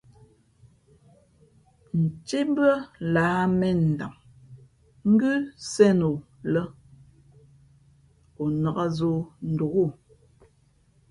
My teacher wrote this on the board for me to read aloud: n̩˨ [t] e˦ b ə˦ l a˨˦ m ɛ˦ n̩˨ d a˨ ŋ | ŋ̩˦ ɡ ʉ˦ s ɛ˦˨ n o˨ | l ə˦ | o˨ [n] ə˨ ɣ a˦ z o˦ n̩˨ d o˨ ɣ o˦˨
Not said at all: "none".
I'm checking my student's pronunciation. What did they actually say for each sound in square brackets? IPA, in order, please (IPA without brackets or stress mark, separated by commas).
t͡ʃ, n